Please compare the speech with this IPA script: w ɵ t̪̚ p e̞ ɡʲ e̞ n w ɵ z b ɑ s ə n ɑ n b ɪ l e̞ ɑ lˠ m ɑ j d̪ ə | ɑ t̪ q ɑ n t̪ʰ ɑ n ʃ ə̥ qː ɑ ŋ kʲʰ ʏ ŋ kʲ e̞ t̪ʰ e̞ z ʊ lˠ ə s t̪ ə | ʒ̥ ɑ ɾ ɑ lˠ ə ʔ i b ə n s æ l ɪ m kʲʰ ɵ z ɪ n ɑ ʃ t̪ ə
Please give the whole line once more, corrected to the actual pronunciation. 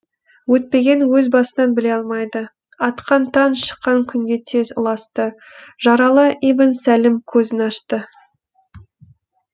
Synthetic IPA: w ɵ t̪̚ p e̞ ɡʲ e̞ n w ɵ z b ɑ s ə n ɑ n b ɪ l e̞ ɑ lˠ m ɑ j d̪ ə | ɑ t̪ q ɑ n t̪ʰ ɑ n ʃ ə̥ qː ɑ ŋ kʲʰ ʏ ŋ ɡʲ e̞ t̪ʰ e̞ z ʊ lˠ ɑ s t̪ ə | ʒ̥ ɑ ɾ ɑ lˠ ə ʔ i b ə n s æ l ɪ m kʲʰ ɵ z ɪ n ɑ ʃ t̪ ə